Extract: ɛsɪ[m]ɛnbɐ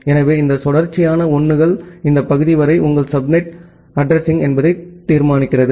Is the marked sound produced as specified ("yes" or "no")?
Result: no